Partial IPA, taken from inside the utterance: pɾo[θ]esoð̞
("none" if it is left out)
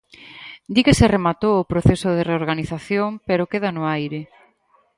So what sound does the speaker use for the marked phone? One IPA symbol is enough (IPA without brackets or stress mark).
θ